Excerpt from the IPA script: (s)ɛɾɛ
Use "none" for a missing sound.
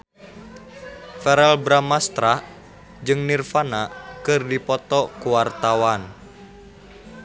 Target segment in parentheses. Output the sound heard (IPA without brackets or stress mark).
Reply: f